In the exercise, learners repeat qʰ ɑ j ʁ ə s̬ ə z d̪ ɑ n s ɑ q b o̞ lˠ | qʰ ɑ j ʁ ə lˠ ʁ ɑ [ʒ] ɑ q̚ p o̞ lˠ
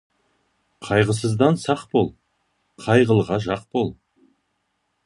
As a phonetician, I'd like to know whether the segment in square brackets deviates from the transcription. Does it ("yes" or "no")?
no